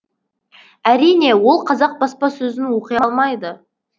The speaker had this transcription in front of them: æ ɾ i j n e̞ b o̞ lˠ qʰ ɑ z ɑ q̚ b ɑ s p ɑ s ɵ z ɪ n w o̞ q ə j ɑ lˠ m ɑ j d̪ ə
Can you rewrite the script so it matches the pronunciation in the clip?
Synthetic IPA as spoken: æ ɾ i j n e̞ w o̞ lˠ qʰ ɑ z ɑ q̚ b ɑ s p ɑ s ɵ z ɪ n w o̞ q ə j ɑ lˠ m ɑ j d̪ ə